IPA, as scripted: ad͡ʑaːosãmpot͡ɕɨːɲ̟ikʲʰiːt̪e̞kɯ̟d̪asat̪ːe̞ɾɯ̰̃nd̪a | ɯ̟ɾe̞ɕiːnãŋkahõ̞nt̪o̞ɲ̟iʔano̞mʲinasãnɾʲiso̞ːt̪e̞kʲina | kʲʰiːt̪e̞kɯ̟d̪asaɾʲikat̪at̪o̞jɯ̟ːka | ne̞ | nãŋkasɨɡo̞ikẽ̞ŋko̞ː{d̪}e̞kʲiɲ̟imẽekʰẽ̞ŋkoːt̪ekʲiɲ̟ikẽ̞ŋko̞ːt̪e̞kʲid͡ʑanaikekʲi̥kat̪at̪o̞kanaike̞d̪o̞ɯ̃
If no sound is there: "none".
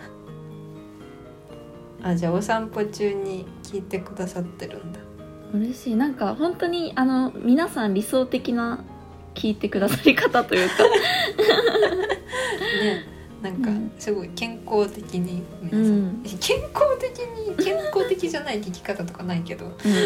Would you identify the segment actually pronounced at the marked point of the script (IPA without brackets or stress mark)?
t̪